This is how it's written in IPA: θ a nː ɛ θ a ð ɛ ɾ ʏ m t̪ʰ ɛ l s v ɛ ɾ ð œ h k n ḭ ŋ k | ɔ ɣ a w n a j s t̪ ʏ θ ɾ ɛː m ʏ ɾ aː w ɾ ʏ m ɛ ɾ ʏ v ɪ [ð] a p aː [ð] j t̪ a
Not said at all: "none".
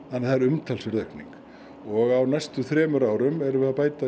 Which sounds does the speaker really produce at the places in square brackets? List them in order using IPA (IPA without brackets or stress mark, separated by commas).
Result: ð, none